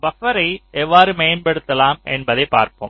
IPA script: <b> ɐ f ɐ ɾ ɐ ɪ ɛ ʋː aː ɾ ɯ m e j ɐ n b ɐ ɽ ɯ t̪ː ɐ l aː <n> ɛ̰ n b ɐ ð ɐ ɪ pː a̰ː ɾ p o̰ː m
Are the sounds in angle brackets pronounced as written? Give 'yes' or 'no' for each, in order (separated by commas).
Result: yes, no